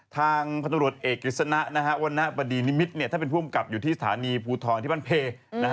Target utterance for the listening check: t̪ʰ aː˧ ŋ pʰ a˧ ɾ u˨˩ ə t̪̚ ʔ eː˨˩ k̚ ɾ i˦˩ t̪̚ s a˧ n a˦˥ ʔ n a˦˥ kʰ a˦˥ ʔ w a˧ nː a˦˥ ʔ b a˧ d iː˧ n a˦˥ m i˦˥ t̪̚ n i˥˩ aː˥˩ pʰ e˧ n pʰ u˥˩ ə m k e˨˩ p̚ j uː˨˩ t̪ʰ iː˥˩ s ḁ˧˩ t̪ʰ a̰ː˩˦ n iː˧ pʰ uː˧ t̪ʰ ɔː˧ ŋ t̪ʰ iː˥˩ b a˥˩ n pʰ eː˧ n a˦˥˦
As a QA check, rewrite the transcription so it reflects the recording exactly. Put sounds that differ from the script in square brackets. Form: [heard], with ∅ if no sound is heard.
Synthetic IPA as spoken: t̪ʰ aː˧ ŋ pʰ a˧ ɾ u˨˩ ə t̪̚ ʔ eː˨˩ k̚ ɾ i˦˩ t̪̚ s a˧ n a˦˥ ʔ n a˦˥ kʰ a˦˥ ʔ w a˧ nː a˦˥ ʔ b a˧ d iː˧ n [i˦˥] m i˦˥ t̪̚ n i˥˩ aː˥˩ [p] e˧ n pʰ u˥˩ ə m k [a˨˩] p̚ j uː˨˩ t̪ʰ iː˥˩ s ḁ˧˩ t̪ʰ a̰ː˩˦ n iː˧ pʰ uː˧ t̪ʰ ɔː˧ [n] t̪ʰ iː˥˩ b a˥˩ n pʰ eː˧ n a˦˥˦